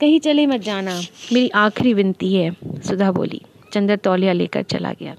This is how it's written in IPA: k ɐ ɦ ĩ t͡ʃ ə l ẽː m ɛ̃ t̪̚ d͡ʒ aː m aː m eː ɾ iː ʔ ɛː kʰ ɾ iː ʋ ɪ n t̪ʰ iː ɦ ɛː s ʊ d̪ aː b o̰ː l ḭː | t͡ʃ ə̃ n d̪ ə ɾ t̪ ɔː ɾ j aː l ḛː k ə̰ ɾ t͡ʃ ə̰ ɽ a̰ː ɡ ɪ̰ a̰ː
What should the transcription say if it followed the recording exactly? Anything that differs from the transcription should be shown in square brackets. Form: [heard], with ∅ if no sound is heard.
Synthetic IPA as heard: k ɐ ɦ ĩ t͡ʃ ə l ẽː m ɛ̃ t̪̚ d͡ʒ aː [n] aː m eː ɾ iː ʔ [aː] kʰ ɾ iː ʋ ɪ n [t̪] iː ɦ ɛː s ʊ d̪ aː b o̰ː l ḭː | t͡ʃ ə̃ n d̪ ə ɾ t̪ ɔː [l] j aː l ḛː k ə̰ ɾ t͡ʃ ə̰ [l] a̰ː ɡ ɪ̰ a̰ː